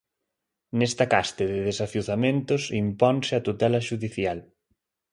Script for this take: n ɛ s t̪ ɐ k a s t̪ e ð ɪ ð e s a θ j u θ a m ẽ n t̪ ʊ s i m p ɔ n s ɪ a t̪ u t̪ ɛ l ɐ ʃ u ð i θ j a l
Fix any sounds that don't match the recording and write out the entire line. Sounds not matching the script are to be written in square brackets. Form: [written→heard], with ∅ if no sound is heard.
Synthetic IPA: n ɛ s t̪ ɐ k a s t̪ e ð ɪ ð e s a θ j u θ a m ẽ n t̪ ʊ s i m p ɔ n s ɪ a t̪ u t̪ ɛ l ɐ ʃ u ð i θ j a l